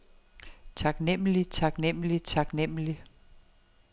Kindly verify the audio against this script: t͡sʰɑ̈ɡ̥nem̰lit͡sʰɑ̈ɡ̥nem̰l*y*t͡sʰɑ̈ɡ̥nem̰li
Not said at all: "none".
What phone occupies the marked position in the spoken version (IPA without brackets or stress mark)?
i